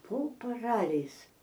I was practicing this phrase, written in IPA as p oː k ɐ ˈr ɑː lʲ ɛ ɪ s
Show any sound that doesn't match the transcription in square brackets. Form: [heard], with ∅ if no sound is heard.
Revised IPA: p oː [p] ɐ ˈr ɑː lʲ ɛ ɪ s